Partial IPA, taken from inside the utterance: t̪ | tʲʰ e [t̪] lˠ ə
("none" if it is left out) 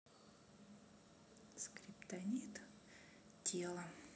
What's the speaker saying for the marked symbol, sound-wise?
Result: none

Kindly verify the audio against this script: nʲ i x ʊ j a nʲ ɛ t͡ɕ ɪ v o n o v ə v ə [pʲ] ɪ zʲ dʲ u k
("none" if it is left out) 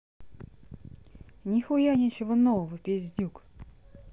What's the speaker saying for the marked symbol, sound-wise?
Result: pʲ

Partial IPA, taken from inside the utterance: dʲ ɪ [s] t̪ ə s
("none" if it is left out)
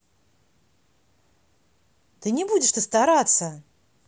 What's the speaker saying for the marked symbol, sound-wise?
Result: ʂ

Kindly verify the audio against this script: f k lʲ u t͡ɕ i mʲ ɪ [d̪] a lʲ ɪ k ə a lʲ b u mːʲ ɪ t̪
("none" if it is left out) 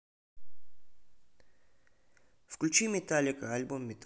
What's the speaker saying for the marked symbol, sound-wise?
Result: t̪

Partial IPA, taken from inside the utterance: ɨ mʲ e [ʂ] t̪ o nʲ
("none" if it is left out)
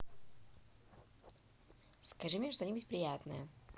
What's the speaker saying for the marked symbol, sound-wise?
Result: ʂ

